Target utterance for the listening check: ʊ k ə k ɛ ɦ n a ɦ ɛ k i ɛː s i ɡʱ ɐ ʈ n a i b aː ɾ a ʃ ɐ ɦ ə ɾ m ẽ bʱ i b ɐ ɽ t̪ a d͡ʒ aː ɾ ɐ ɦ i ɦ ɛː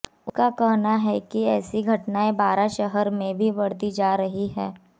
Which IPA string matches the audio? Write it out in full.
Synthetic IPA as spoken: ʊ k a k ɛ ɦ n a ɦ ɛ k i ɛː s i ɡʱ ɐ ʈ n a e b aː ɾ a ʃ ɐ ɦ ə ɾ m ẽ bʱ i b ɐ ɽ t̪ i d͡ʒ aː ɾ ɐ ɦ i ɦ ɛː